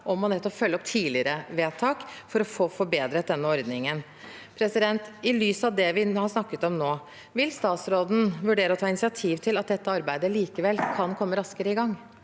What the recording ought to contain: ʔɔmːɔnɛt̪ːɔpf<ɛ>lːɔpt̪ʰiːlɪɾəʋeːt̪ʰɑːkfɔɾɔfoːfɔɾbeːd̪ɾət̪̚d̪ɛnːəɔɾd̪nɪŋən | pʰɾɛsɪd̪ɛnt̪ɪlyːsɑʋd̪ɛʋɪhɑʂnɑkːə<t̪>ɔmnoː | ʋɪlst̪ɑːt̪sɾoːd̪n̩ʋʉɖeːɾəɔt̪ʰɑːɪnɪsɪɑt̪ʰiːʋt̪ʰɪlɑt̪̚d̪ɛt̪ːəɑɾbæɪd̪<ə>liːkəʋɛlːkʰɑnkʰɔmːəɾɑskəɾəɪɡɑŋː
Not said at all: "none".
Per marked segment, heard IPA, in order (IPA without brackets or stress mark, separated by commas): œ, t̪, ə